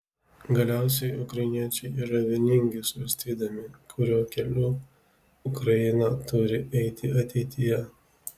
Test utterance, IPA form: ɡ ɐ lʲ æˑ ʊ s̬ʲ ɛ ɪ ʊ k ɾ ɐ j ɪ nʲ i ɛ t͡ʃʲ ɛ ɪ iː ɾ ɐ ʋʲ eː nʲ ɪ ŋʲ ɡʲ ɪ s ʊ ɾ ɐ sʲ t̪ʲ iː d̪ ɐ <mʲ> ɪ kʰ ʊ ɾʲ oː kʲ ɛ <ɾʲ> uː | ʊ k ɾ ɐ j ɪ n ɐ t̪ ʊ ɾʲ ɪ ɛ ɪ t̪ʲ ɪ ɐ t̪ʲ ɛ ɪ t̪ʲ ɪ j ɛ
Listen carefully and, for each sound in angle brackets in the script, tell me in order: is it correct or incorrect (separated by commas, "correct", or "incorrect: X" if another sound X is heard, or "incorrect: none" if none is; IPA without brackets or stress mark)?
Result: correct, incorrect: lʲ